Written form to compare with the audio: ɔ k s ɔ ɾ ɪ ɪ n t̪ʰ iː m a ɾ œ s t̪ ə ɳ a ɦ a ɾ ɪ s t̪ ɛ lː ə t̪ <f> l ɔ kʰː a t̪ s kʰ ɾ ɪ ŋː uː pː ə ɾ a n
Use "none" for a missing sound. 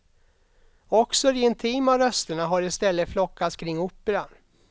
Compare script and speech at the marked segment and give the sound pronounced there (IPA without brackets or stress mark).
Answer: f